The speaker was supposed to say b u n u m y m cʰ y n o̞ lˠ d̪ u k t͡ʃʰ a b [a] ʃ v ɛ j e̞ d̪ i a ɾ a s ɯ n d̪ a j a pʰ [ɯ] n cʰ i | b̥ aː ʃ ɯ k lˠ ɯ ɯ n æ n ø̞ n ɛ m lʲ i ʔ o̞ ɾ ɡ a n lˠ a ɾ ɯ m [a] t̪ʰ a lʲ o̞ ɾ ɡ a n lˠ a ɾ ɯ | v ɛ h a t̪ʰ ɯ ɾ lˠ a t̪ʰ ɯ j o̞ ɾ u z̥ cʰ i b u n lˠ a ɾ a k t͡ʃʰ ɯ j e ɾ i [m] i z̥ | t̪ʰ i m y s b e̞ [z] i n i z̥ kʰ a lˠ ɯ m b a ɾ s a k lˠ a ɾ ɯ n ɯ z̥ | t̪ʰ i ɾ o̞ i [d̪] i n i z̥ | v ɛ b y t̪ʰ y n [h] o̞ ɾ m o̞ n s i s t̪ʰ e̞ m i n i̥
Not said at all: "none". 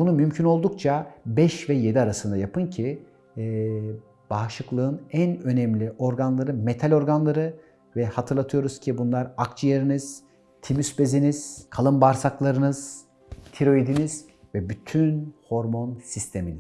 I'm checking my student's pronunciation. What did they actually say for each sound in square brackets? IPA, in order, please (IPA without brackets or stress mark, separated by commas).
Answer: ɛ, ɯ, e, n, z, d̪, h